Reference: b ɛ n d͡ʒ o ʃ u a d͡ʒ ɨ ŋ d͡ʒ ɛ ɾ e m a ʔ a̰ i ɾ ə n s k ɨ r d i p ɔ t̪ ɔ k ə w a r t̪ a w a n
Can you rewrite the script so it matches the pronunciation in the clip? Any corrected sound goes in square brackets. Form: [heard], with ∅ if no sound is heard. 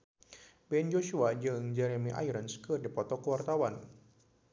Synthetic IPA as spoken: b ɛ n d͡ʒ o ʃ u a d͡ʒ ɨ ŋ d͡ʒ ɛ ɾ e m [i] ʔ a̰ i ɾ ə n s k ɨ r d i p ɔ t̪ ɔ k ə w a r t̪ a w a n